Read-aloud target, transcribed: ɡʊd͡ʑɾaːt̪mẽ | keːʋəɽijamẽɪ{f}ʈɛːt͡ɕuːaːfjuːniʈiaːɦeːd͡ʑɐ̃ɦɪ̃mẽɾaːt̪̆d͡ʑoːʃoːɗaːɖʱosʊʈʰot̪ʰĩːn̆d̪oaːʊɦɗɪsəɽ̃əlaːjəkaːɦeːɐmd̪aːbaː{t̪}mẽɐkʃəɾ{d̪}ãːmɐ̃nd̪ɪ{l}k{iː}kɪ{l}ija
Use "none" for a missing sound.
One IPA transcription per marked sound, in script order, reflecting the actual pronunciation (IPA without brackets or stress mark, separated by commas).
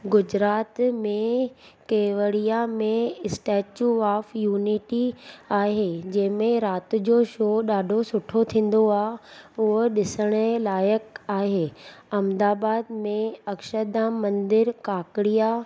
s, d̪, d̪, ɾ, aː, ɽ